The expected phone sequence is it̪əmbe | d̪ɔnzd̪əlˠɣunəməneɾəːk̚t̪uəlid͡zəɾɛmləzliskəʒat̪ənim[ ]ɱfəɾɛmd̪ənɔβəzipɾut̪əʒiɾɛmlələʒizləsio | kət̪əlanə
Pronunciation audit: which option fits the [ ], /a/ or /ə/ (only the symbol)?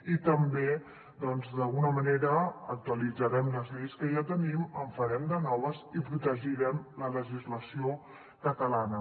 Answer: ə